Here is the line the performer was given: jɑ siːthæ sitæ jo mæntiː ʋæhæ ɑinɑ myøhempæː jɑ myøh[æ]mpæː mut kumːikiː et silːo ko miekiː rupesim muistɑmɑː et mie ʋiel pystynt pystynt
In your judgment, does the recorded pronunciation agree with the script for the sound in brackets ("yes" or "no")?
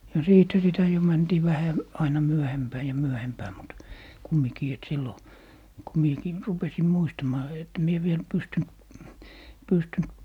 no